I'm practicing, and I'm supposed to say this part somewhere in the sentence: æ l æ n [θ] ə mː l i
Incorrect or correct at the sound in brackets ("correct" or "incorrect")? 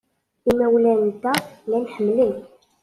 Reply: incorrect